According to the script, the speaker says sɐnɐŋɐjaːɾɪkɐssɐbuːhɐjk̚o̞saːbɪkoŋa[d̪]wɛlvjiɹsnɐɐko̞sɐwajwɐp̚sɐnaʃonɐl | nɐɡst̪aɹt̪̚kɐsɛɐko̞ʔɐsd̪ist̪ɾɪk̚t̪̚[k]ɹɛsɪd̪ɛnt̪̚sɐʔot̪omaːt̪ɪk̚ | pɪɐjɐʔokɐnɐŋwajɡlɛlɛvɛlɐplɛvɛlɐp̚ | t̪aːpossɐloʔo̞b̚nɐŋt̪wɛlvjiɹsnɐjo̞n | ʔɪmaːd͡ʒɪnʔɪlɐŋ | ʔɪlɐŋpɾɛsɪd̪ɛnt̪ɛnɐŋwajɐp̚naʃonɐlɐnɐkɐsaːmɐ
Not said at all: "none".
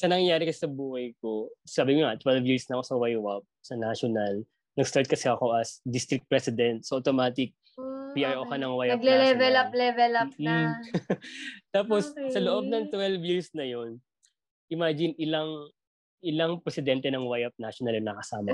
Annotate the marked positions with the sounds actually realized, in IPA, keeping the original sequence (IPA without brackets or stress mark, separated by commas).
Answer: t̪, p